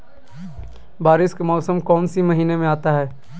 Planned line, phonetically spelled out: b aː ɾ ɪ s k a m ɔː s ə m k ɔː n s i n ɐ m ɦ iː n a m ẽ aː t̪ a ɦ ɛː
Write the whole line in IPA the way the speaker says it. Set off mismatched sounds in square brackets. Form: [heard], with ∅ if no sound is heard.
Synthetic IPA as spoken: b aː ɾ ɪ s k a m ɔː s ə m k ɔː n s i [m] ɐ [∅] ɦ iː n [e] m ẽ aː t̪ a ɦ ɛː